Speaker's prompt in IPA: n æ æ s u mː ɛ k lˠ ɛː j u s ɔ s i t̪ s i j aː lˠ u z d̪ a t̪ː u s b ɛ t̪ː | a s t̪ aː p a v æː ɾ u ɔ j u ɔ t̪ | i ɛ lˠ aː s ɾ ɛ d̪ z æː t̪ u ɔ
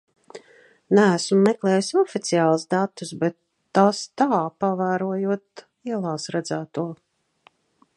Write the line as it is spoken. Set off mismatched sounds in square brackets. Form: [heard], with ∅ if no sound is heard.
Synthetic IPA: n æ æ s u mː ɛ k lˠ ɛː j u s ɔ [f] i t̪ s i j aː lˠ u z d̪ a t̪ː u s b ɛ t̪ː | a s t̪ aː p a v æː ɾ u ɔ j u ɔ t̪ | i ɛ lˠ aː s ɾ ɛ d̪ z æː t̪ u ɔ